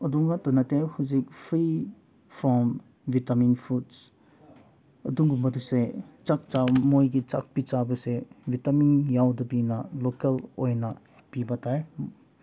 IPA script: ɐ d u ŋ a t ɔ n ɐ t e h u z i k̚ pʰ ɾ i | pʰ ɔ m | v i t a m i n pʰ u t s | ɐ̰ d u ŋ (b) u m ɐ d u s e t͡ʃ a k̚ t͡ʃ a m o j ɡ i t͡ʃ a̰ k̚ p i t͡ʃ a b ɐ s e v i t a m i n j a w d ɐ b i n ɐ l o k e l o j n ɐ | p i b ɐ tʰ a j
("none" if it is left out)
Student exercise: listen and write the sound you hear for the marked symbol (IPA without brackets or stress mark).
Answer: ɡ